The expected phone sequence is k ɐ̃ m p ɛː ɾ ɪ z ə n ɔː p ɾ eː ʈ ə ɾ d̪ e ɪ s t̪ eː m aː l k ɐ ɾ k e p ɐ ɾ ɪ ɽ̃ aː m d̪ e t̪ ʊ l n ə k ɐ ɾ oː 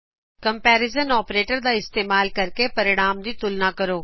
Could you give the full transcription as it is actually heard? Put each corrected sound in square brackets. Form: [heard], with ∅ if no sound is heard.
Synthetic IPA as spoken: k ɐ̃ m p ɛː ɾ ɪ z ə n ɔː p ɾ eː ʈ ə ɾ d̪ [a] ɪ s t̪ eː m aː l k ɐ ɾ k e p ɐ ɾ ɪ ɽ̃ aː m d̪ [i] t̪ ʊ l n [a] k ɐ ɾ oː